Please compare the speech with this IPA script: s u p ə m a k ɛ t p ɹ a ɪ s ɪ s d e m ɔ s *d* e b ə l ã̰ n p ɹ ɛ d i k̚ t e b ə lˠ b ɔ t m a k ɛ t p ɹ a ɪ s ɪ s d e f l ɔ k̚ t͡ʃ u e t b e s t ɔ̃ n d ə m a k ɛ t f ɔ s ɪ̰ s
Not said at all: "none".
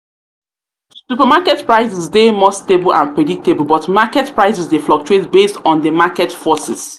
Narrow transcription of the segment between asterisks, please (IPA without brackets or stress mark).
t